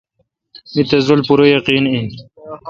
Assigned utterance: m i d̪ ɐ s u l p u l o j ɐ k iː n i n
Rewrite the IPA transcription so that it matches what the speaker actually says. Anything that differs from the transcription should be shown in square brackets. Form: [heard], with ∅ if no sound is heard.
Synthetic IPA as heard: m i [t̪] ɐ [z] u l p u [ɾ] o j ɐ [q] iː n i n